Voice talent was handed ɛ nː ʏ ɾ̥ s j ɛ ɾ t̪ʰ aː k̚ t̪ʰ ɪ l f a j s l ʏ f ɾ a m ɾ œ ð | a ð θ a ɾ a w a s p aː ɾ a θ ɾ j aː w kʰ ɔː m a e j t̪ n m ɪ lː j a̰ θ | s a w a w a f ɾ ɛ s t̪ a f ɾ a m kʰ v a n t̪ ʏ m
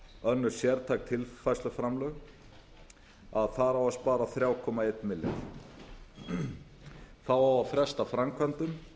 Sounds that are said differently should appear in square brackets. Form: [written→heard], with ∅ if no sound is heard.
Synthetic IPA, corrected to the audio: [ɛ→œ] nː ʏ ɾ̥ s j ɛ ɾ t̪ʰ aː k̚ t̪ʰ ɪ l f a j s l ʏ f ɾ a m [ɾ→l] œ [ð→ɣ] | a ð θ a ɾ a w a s p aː ɾ a θ ɾ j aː w kʰ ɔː m a e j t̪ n m ɪ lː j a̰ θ | [s→θ] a w a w a f ɾ ɛ s t̪ a f ɾ a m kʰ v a n t̪ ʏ m